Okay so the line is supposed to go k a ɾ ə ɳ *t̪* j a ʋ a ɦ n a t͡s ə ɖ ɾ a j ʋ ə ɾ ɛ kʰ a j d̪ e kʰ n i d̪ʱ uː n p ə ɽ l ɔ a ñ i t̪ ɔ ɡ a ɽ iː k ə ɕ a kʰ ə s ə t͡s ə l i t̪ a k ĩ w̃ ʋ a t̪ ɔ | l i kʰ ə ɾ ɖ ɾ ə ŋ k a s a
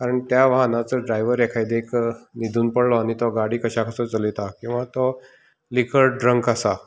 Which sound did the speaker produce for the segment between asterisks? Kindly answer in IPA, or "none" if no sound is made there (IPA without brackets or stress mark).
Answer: t̪